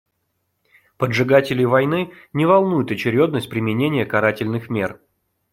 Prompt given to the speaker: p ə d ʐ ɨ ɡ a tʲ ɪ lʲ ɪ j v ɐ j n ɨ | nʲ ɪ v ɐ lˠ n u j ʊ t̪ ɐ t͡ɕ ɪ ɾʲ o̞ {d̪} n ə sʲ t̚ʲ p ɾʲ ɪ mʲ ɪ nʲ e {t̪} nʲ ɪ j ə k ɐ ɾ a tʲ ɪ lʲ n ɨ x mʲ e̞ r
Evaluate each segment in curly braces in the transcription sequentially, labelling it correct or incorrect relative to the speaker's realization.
correct, incorrect: none

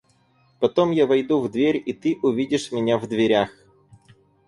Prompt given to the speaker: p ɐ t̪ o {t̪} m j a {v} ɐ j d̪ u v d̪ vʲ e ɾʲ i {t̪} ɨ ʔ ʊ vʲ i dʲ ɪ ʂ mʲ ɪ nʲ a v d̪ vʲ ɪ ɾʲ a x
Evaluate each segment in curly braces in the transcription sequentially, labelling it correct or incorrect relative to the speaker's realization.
incorrect: none, correct, correct

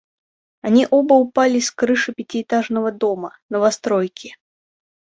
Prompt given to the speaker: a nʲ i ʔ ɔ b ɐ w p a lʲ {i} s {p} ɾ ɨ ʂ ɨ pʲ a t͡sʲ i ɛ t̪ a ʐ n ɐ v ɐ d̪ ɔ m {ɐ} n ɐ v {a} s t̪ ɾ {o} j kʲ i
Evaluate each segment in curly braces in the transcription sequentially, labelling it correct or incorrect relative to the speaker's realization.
correct, incorrect: k, correct, correct, incorrect: ɔ

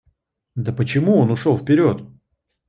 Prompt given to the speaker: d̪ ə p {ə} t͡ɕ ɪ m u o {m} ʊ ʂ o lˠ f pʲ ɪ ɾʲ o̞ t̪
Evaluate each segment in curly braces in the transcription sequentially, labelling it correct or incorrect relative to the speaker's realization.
correct, incorrect: n

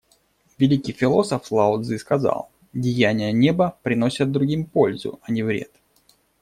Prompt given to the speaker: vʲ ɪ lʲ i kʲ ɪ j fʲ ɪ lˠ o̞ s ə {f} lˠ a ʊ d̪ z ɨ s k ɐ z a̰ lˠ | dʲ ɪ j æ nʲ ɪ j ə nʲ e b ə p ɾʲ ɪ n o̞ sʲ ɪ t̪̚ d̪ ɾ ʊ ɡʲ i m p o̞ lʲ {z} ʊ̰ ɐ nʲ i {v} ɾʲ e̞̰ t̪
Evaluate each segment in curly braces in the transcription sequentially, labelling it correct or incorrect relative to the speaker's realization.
correct, correct, correct

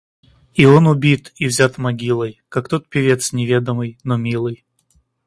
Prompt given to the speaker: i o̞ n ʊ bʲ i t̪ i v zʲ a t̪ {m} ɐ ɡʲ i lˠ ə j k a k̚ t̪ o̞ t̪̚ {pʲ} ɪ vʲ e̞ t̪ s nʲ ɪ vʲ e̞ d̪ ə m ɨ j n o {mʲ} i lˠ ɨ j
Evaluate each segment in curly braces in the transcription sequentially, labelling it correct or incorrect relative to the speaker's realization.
correct, correct, correct

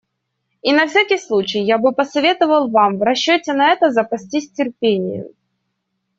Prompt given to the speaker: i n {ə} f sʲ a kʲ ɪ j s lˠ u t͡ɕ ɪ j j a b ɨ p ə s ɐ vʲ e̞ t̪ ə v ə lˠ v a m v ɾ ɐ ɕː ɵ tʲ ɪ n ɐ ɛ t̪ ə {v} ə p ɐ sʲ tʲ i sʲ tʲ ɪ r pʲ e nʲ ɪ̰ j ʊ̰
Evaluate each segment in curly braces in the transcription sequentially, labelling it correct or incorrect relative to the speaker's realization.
incorrect: ɐ, incorrect: z

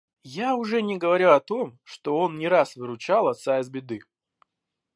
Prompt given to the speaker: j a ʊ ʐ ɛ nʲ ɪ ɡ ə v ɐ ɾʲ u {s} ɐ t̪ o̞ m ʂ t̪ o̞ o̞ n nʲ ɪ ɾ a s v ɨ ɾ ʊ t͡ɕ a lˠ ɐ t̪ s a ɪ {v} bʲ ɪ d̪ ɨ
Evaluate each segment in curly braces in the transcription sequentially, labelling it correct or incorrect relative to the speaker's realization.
incorrect: none, incorrect: z

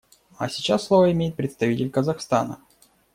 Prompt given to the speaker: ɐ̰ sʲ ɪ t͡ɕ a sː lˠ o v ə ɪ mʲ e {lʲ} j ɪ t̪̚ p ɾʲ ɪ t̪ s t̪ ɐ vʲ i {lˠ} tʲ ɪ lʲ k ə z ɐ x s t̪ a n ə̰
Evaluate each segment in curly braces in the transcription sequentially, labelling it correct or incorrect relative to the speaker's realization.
incorrect: none, incorrect: none

